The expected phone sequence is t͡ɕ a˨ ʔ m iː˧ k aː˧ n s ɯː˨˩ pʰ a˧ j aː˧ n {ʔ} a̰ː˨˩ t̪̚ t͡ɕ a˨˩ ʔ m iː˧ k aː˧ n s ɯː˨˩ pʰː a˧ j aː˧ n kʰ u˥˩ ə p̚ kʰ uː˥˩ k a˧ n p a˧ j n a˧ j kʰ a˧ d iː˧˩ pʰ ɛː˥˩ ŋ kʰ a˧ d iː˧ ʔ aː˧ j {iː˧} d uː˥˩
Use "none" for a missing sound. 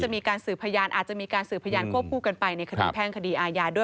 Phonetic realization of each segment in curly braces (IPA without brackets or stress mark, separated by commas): ʔ, aː˧